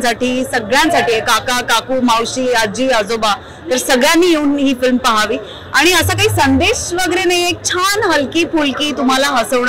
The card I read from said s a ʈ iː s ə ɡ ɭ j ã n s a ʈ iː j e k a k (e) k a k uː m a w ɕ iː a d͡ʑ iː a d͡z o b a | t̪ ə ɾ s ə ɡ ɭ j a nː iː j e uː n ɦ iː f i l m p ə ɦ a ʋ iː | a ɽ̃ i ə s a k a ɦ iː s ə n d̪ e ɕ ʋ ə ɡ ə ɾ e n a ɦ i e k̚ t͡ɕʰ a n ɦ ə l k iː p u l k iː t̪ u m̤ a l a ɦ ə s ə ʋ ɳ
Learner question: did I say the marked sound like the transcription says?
no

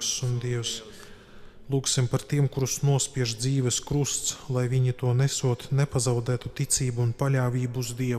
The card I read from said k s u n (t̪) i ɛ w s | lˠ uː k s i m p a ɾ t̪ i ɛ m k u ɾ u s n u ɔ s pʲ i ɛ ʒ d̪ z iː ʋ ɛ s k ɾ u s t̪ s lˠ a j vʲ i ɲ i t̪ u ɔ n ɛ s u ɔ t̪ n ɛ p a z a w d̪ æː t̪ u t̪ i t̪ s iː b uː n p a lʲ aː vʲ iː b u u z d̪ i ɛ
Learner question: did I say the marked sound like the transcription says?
no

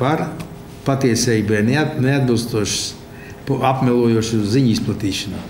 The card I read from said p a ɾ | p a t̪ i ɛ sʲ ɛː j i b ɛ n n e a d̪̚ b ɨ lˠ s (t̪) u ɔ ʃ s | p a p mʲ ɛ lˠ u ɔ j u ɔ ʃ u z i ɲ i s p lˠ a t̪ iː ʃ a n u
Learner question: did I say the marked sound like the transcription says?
yes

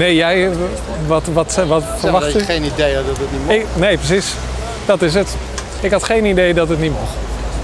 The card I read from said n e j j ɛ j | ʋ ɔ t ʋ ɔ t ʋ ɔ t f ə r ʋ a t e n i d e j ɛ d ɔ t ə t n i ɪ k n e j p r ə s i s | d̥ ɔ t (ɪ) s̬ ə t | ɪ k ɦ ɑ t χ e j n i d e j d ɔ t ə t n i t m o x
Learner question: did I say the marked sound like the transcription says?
yes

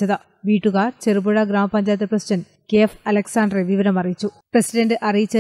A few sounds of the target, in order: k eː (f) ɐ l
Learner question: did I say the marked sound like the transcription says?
yes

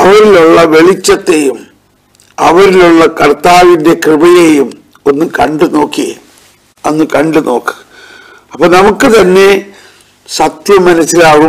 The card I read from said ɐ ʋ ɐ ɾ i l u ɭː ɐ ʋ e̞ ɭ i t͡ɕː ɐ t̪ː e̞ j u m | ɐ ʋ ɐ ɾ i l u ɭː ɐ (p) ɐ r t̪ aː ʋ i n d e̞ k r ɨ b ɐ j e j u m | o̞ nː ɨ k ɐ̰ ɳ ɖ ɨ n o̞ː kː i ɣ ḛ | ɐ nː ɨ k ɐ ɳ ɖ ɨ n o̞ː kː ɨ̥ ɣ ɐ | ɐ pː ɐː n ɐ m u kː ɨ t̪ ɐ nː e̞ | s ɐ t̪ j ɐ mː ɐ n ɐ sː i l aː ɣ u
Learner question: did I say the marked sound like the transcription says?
no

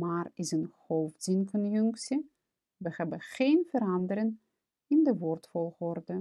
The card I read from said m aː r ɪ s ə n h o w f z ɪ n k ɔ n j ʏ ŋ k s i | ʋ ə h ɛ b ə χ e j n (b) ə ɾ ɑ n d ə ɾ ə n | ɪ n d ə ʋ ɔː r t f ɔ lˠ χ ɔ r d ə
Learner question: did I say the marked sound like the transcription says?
no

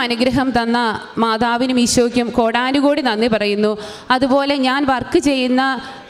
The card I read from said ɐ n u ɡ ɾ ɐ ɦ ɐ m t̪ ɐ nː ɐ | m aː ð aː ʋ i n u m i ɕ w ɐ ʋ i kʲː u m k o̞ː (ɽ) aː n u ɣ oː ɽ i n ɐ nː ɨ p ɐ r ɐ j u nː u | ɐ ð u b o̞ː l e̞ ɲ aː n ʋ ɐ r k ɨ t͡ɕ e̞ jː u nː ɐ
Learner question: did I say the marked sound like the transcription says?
yes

